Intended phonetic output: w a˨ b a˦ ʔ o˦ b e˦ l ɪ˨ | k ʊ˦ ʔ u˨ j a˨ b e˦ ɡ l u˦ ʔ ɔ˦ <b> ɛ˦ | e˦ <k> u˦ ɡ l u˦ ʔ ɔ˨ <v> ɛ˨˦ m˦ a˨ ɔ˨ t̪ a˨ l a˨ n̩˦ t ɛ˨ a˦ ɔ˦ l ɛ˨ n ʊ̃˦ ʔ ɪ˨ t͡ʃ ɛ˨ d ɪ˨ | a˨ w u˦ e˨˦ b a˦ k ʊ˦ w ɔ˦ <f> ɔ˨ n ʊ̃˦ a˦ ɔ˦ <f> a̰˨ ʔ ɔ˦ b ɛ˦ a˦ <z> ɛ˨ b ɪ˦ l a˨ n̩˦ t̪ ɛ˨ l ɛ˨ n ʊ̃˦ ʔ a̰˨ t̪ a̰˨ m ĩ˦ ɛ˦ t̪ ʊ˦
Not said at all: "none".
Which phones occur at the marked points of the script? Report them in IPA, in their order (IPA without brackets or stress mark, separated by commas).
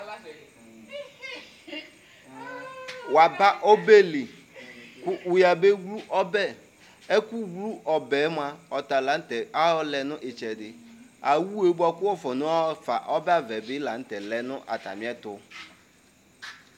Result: b, k, b, f, f, v